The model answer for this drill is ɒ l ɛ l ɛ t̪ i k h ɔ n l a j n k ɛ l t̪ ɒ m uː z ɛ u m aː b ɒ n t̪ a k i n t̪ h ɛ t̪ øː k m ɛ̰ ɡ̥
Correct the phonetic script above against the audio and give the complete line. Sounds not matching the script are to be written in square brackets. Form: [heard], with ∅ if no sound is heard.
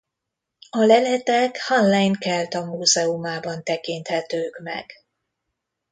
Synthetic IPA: ɒ l ɛ l ɛ t̪ [ɛ] k h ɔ n l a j n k ɛ l t̪ ɒ m uː z ɛ u m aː b ɒ n t̪ [ɛ] k i n t̪ h ɛ t̪ øː k m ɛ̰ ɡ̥